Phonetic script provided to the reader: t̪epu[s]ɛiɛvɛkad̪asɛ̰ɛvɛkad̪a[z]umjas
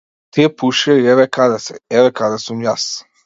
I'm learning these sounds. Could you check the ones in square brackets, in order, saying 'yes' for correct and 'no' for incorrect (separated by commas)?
no, no